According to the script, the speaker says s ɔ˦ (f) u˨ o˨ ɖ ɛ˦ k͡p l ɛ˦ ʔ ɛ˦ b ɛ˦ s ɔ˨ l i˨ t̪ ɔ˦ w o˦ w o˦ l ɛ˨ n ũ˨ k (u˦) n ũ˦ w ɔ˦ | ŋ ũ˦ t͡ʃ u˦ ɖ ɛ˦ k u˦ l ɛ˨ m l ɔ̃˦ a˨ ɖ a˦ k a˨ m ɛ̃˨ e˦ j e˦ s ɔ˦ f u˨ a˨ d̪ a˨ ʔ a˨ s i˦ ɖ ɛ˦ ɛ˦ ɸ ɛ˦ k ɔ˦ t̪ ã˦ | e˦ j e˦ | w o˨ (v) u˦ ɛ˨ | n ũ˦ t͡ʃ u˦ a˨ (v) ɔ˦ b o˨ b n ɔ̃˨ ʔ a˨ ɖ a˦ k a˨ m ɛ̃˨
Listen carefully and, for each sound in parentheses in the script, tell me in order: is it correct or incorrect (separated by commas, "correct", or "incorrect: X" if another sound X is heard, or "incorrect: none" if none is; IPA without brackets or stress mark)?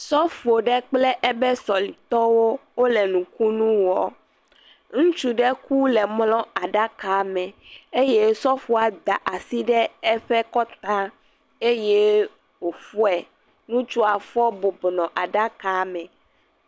correct, correct, incorrect: f, incorrect: f